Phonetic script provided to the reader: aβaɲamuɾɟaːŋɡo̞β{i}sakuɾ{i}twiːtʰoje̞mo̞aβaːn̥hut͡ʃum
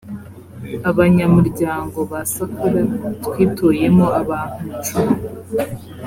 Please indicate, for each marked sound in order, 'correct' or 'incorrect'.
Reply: incorrect: a, incorrect: a

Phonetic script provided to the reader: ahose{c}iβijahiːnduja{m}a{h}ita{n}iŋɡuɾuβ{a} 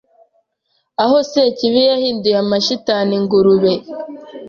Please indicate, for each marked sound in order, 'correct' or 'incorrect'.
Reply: correct, correct, incorrect: ʃ, correct, incorrect: e

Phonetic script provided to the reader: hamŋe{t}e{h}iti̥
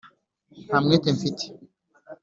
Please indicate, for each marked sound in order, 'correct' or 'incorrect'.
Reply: correct, incorrect: f

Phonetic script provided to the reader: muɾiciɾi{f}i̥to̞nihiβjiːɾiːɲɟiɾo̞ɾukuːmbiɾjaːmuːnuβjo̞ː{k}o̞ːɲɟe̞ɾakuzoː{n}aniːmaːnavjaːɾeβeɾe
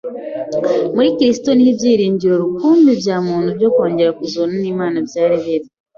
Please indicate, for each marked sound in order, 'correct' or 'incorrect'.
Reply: incorrect: s, correct, correct

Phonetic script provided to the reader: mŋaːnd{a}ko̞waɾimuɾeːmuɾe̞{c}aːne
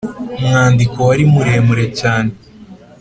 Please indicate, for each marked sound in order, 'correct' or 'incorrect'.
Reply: incorrect: i, correct

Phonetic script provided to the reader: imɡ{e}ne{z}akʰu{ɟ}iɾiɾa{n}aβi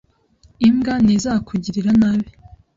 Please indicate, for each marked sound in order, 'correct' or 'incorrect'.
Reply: incorrect: a, correct, correct, correct

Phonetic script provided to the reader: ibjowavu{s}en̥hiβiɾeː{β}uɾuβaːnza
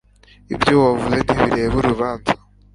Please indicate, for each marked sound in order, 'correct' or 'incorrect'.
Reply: incorrect: z, correct

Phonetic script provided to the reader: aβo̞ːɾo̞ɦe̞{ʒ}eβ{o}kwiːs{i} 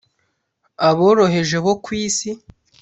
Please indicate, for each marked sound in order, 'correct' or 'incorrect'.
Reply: correct, correct, correct

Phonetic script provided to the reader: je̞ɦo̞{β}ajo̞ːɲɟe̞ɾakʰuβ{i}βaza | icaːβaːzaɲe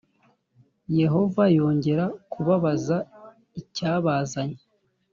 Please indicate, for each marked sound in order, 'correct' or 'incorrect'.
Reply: incorrect: v, incorrect: a

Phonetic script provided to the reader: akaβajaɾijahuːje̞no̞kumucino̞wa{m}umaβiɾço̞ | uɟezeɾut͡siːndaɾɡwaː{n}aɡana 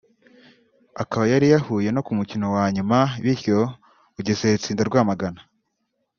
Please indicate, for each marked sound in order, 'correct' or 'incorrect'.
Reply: incorrect: ɲ, incorrect: m

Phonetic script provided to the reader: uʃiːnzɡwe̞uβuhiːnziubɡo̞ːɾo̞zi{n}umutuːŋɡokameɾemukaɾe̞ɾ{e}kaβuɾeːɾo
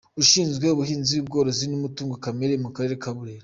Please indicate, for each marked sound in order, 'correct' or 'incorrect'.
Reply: correct, correct

